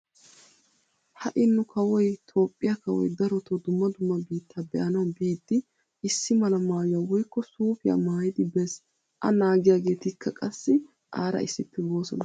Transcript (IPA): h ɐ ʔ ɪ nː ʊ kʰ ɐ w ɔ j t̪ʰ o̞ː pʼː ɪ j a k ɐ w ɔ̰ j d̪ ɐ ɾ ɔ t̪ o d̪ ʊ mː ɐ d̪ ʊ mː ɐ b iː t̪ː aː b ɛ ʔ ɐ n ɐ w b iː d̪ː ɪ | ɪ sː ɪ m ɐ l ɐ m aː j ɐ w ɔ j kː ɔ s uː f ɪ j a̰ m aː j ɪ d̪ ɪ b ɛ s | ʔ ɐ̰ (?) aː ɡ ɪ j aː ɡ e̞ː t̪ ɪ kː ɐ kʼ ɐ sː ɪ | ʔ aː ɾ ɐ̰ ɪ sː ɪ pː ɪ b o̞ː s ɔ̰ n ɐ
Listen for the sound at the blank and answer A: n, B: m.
A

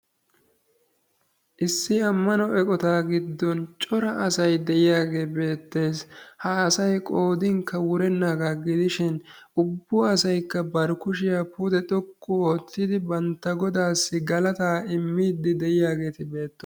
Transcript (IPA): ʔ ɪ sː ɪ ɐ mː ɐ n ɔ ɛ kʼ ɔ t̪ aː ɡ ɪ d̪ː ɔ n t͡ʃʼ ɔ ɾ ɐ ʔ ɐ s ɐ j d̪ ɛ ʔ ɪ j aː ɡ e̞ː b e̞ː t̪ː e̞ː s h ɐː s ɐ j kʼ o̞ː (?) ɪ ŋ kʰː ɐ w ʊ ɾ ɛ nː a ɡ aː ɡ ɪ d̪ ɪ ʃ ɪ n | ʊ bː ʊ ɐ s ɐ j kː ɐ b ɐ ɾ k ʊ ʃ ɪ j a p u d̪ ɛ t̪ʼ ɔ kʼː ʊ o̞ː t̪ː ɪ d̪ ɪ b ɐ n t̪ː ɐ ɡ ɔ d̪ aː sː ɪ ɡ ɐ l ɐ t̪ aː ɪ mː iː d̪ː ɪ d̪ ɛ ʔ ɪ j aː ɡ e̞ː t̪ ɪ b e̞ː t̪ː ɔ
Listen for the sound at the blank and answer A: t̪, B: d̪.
B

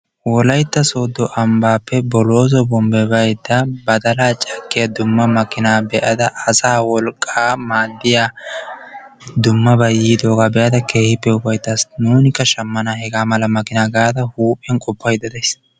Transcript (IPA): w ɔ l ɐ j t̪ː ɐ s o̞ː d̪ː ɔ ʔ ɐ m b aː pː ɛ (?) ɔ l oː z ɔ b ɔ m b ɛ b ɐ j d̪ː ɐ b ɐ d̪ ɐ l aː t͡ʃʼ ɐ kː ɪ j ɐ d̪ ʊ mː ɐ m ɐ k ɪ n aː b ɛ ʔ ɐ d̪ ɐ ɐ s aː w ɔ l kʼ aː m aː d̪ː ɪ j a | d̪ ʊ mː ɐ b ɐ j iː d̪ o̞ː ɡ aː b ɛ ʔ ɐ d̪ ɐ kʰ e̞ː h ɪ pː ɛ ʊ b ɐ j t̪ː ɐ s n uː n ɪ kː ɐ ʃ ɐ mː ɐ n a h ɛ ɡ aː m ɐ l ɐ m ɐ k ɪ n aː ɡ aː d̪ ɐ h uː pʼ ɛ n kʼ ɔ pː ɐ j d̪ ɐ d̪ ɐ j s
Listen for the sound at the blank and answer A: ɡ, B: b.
B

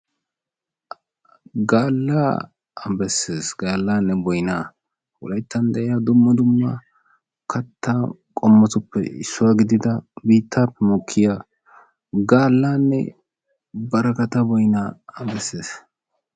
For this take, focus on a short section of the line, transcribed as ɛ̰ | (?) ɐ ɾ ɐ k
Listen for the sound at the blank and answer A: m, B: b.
B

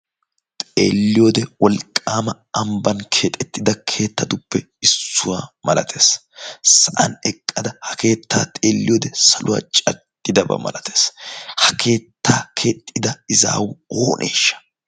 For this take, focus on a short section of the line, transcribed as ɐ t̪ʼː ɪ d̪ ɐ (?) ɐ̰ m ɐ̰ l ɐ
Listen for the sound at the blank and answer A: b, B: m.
A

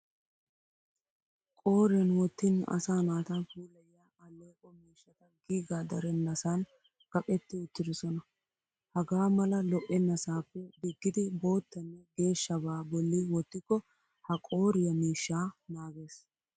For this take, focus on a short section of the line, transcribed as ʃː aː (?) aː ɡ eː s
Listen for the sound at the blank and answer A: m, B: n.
B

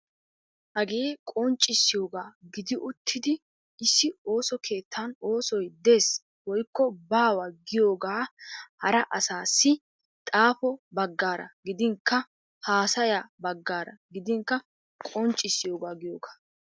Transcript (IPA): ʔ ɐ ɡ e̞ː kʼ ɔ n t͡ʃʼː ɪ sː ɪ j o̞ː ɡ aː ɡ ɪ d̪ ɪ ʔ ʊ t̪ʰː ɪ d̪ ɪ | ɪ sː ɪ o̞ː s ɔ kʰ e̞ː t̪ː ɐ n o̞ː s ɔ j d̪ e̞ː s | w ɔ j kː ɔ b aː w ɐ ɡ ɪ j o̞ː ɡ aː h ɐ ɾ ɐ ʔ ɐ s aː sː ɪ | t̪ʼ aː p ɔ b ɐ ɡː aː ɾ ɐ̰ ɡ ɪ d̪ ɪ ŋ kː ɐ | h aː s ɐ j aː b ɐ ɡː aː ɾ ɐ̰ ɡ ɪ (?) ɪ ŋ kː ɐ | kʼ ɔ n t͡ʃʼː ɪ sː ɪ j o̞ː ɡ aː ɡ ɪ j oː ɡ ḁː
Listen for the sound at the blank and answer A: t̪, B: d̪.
B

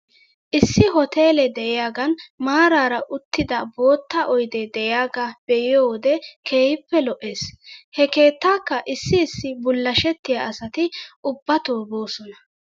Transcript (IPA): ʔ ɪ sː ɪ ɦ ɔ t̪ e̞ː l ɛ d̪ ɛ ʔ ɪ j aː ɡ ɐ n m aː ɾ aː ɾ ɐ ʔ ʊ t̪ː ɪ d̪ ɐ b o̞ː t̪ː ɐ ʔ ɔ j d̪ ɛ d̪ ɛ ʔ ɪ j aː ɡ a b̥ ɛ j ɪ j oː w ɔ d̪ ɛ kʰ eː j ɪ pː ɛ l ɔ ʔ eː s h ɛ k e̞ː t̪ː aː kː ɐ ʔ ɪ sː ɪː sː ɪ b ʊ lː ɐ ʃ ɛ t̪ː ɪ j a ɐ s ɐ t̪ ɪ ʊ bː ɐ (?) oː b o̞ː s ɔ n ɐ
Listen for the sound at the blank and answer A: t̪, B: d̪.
A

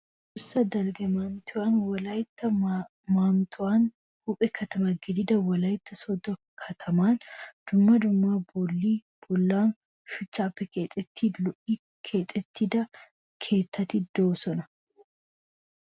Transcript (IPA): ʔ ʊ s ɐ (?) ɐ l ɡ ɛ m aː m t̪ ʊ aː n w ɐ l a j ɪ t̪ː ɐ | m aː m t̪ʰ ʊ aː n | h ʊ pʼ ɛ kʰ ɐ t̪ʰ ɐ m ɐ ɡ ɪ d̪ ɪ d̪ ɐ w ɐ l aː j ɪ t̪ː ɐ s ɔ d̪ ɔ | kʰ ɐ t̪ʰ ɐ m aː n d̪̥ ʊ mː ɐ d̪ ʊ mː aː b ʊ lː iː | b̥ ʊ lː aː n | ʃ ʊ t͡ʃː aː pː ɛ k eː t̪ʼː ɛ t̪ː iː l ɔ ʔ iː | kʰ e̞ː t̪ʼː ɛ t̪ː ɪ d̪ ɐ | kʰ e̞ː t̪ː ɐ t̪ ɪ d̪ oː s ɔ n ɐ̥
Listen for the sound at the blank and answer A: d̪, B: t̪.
A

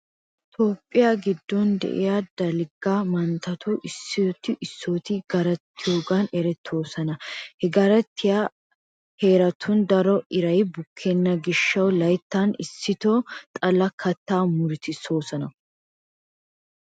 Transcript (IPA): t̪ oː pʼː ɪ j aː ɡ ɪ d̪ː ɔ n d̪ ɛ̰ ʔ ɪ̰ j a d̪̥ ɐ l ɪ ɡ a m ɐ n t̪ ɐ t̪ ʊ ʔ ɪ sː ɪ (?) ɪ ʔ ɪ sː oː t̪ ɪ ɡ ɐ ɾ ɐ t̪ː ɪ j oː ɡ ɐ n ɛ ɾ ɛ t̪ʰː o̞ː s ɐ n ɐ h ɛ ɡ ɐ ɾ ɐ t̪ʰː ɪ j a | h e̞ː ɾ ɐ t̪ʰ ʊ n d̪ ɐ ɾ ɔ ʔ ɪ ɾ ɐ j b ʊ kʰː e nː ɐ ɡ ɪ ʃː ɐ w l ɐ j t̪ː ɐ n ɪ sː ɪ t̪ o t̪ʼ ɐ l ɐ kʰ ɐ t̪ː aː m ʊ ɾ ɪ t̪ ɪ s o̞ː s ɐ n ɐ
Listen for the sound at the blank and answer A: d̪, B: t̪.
B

